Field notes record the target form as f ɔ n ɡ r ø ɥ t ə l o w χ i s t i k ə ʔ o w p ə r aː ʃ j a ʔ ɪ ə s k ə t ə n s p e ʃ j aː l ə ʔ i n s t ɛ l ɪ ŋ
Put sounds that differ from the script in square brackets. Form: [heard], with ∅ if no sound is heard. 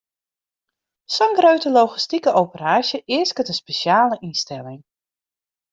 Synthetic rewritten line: [s] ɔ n ɡ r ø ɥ t ə l o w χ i s t i k ə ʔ o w p ə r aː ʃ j [ə] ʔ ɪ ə s k ə t ə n s p e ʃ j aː l ə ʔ i n s t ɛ l ɪ ŋ